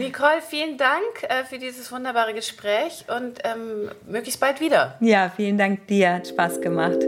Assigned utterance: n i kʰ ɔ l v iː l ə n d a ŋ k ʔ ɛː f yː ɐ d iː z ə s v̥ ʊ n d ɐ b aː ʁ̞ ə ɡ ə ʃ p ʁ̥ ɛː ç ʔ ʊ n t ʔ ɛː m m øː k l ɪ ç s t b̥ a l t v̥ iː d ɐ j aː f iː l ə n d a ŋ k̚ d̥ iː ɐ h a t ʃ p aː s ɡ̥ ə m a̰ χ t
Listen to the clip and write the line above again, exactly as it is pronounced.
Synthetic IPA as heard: n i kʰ ɔ l f iː l ə n d a ŋ k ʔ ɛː f yː ɐ d iː z ə s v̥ ʊ n d ɐ b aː ʁ̞ ə ɡ ə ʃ p ʁ̥ ɛː ç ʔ ʊ n t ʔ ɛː m m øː k l ɪ ç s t b̥ a l t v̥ iː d ɐ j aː f iː l ə n d a ŋ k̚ d̥ iː ɐ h a t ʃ p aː s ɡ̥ ə m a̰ χ t